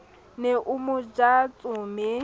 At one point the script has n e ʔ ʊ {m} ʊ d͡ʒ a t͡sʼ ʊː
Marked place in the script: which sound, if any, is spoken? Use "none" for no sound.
m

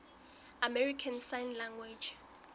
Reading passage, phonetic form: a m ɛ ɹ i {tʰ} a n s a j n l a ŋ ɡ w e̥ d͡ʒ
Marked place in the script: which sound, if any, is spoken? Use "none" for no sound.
kʰ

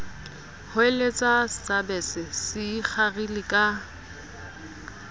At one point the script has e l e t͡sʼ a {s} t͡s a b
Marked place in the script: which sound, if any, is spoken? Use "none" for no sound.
s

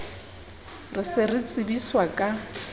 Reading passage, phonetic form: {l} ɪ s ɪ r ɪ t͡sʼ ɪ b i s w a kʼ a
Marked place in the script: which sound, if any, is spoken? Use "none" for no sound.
r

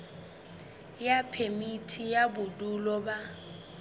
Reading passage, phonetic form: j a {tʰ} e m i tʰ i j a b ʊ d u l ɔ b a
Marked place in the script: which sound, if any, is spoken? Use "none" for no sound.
pʰ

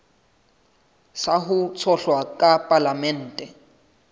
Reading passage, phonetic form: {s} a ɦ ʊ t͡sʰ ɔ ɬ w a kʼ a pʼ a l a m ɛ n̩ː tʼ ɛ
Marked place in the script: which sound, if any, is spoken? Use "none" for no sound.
s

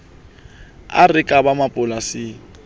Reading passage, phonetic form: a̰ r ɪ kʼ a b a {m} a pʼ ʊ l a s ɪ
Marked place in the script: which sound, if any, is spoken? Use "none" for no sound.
m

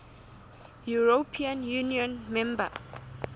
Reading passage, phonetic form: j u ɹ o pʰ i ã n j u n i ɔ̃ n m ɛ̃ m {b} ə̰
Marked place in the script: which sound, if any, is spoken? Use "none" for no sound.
b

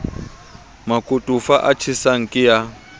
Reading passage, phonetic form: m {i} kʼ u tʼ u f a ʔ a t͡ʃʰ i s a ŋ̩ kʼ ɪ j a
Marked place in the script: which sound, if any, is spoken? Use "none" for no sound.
a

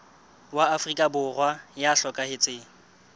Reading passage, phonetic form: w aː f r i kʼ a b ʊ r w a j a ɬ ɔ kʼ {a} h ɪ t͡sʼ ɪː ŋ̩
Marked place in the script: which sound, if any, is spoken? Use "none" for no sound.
a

